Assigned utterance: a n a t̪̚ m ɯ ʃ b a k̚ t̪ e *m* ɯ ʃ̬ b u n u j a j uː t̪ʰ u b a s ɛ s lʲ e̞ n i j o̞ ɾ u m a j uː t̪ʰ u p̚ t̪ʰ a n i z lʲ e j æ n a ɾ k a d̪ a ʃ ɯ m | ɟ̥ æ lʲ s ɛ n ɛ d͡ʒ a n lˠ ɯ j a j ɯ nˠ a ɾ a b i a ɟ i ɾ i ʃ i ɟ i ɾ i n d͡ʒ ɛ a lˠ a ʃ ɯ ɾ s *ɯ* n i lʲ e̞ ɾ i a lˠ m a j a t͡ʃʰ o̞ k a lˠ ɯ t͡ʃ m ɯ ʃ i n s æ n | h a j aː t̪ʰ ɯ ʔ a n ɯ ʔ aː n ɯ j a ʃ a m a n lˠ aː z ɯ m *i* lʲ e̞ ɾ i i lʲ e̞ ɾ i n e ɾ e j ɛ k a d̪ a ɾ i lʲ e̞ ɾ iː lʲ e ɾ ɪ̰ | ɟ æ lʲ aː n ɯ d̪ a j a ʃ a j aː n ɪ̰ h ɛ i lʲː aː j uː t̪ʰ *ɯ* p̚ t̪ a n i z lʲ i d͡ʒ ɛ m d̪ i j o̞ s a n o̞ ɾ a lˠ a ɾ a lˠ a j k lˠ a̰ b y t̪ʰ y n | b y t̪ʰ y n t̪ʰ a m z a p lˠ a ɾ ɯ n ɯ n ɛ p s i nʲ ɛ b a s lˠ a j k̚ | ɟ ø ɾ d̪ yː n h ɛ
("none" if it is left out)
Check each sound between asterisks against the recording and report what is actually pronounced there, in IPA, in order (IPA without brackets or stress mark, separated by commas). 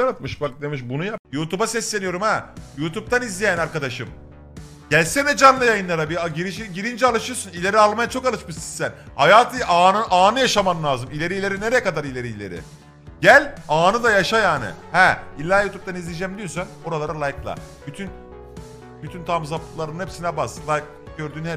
m, u, i, u